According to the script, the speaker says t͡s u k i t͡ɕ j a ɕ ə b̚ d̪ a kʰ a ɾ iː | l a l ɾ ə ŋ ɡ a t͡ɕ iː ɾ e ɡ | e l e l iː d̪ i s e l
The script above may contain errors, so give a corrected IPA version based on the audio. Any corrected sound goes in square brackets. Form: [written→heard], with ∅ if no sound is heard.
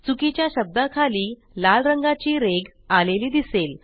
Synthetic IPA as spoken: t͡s u k i t͡ɕ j a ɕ ə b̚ d̪ a kʰ a [ɾ→l] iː | l a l ɾ ə ŋ ɡ a t͡ɕ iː ɾ e ɡ | [e→a] l e l iː d̪ i s e l